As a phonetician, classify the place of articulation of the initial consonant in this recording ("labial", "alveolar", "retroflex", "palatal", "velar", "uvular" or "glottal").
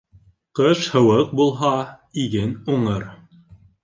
uvular